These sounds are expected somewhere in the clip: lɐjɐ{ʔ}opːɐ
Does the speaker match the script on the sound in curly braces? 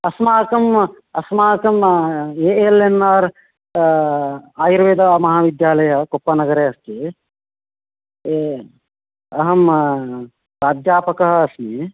no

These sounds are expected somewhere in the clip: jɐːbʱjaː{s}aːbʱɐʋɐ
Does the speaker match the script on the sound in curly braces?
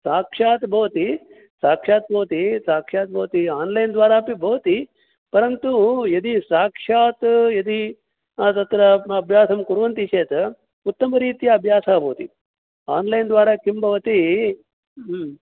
yes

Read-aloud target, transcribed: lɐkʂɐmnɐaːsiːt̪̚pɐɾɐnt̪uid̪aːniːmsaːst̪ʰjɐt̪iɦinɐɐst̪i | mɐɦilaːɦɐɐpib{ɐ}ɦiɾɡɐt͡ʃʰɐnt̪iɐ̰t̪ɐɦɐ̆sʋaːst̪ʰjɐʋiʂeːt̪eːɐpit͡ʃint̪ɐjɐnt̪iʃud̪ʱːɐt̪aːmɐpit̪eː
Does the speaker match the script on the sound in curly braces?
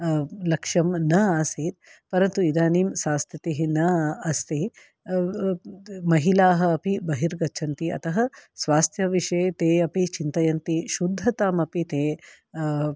yes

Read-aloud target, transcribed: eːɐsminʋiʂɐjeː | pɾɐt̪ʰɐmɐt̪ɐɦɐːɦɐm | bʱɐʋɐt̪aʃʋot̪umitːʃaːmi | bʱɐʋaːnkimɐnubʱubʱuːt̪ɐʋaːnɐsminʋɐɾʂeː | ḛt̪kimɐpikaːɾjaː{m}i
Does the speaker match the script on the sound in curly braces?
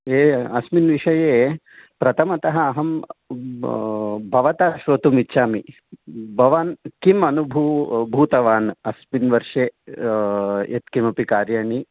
no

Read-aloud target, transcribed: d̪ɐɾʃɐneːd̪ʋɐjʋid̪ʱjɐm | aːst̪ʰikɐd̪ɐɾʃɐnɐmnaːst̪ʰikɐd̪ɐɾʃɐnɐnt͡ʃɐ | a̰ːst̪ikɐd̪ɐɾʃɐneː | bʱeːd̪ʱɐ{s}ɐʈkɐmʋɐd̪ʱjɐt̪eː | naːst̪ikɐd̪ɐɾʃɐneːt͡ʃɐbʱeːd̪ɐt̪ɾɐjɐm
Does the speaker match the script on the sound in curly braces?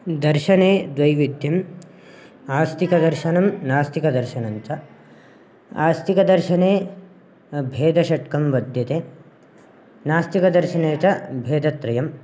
no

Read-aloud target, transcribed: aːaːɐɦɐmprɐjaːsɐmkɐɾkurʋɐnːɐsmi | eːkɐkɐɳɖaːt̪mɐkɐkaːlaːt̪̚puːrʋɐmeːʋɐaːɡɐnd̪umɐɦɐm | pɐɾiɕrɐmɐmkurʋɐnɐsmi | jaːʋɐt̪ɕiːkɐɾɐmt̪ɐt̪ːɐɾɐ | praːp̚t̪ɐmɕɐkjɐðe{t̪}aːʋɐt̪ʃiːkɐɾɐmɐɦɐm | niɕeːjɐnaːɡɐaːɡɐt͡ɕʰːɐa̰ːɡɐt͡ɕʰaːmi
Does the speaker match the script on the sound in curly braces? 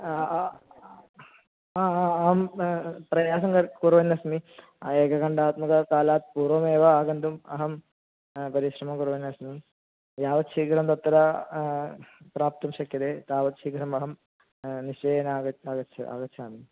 yes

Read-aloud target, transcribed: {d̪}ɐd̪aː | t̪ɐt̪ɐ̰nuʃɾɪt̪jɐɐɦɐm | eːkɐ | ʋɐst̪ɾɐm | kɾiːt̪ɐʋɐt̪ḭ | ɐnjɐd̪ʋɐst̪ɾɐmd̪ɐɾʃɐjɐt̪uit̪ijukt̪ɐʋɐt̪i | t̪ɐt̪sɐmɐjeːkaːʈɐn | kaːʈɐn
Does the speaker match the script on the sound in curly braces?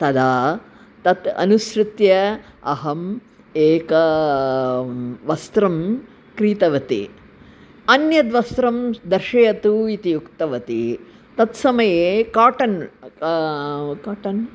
no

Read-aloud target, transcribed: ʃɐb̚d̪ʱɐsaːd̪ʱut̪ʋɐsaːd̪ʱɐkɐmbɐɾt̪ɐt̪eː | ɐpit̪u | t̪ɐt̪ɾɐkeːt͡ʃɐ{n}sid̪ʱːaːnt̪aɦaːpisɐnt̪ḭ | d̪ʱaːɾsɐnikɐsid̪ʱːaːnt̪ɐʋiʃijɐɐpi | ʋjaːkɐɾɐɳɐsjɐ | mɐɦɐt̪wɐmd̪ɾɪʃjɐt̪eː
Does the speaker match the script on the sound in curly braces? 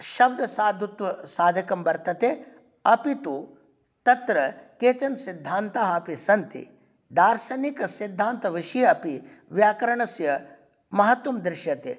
yes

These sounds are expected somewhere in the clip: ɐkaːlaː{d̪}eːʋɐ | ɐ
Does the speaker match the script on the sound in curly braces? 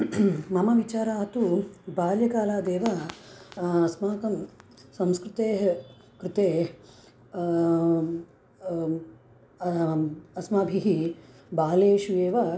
yes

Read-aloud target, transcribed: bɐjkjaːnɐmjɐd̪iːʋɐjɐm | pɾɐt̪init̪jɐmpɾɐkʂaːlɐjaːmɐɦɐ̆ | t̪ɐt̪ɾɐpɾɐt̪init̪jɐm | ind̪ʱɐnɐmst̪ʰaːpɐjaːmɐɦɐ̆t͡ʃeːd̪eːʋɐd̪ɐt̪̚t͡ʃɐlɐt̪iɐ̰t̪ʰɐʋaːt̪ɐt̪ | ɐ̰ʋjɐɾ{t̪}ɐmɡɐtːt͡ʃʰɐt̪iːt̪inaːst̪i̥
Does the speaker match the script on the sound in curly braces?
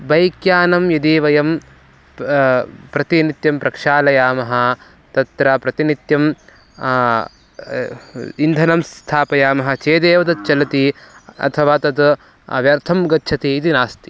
no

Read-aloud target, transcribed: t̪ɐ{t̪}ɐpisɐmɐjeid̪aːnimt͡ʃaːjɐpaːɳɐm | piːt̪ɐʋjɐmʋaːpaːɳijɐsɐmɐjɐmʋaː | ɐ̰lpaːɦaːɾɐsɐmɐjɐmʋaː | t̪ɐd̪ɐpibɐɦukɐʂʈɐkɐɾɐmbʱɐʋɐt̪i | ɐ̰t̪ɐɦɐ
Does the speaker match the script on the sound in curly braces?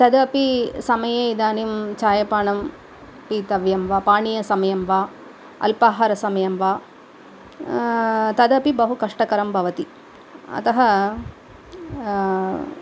no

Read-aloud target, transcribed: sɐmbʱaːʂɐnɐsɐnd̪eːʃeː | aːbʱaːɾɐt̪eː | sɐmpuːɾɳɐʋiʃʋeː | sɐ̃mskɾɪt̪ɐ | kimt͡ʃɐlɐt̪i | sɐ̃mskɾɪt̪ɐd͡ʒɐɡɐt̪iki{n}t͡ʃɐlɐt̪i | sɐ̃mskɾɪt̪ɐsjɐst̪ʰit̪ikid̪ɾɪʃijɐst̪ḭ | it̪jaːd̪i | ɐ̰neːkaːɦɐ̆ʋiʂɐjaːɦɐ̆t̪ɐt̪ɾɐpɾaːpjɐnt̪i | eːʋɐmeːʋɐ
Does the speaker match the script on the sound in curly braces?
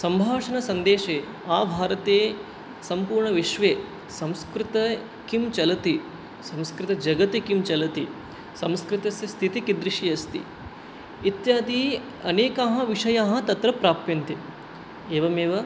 no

